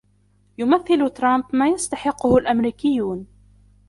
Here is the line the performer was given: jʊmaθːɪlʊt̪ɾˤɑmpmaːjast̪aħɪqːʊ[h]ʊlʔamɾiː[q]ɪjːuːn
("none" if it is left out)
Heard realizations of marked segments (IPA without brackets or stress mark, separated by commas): h, k